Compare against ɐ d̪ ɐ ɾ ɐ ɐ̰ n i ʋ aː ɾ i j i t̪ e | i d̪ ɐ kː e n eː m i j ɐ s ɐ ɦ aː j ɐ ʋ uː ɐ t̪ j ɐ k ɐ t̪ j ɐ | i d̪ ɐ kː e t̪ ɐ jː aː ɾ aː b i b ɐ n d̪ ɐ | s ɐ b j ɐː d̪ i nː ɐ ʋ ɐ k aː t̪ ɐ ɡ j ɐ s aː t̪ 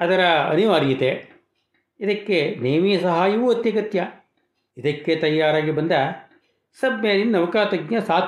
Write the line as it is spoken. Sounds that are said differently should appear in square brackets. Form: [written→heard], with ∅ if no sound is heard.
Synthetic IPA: ɐ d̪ ɐ ɾ ɐ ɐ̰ n i ʋ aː ɾ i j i t̪ e | i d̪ ɐ kː e n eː m i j ɐ s ɐ ɦ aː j ɐ ʋ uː ɐ t̪ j ɐ k ɐ t̪ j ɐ | i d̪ ɐ kː e t̪ ɐ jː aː ɾ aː [b→ɡ] i b ɐ n d̪ ɐ | s ɐ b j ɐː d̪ i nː ɐ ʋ ɐ k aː t̪ ɐ ɡ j ɐ s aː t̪